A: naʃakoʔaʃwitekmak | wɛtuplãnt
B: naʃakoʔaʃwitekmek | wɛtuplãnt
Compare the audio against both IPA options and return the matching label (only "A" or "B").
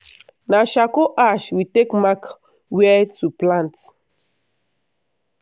A